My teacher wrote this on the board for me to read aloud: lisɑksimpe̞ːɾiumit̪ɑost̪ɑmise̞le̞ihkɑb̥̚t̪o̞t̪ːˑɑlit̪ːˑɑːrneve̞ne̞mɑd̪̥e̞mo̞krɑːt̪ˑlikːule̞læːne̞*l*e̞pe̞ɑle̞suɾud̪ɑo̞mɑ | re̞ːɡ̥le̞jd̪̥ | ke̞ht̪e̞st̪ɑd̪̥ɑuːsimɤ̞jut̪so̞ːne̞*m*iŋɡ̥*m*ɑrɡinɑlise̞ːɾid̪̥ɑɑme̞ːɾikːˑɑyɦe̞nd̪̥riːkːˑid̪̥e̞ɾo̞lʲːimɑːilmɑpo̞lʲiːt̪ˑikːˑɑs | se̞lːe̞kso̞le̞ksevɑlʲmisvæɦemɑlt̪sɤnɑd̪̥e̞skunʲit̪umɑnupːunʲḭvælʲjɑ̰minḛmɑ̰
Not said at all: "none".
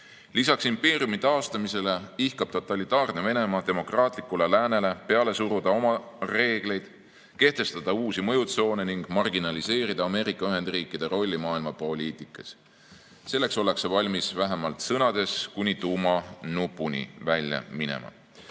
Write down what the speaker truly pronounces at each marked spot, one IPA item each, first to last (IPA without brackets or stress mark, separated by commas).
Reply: l, n, m